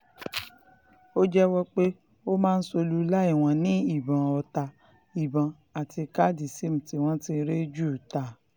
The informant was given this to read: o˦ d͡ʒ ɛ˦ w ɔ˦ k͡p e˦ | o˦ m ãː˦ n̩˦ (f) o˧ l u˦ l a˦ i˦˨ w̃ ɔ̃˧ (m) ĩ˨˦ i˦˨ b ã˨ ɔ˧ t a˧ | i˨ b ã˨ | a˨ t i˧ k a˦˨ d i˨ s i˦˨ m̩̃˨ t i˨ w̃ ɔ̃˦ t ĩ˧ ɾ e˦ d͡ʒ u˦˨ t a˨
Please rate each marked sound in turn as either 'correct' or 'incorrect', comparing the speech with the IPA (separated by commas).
incorrect, incorrect